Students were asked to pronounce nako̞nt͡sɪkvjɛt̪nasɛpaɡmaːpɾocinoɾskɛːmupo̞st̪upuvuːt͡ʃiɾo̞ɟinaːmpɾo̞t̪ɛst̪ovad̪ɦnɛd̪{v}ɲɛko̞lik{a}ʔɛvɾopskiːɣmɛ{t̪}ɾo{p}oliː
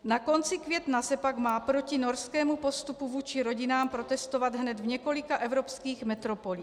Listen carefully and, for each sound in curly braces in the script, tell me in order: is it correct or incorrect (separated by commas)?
correct, correct, correct, correct